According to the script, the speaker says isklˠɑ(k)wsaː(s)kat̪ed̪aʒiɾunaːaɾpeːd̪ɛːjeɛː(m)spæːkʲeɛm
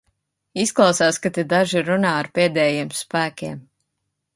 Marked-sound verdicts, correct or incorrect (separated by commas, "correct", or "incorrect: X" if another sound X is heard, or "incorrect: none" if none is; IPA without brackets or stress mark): incorrect: none, correct, correct